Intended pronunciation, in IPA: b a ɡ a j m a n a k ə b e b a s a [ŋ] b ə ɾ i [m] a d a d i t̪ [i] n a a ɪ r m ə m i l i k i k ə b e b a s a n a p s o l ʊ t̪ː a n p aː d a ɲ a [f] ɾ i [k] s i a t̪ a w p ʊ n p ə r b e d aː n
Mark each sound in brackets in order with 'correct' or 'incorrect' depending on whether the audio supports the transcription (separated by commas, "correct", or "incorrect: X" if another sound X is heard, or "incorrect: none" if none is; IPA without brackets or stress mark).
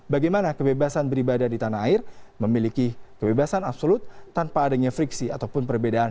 incorrect: n, incorrect: b, incorrect: a, correct, correct